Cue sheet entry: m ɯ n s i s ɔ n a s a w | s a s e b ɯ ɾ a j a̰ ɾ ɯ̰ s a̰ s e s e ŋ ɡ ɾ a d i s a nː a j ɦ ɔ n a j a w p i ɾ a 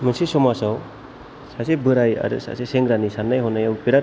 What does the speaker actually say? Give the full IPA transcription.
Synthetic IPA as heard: m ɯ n s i s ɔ m a s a w | s a s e b ɯ ɾ a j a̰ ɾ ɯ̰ s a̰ s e s e ŋ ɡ ɾ a n i s a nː a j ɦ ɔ n a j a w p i ɾ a